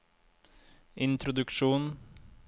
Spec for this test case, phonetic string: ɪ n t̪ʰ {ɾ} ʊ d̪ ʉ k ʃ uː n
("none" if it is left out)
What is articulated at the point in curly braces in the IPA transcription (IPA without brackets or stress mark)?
ɾ